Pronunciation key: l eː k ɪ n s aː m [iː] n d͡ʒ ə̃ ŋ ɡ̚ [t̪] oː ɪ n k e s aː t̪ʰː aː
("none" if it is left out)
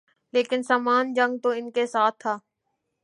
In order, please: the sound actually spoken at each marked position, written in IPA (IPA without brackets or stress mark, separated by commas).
aː, t̪